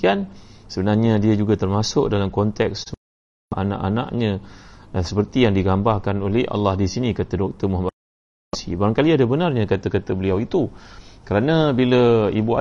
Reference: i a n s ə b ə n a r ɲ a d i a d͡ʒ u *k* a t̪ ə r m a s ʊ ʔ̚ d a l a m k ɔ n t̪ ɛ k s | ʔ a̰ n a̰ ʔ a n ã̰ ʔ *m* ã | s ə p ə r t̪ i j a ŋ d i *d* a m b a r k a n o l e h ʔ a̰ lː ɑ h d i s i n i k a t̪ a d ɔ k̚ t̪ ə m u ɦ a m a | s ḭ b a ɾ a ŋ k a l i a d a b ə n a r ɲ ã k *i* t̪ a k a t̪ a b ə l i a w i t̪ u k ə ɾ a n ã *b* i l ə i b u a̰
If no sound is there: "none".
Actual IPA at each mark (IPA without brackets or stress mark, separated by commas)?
ɡ, ɲ, ɡ, a, b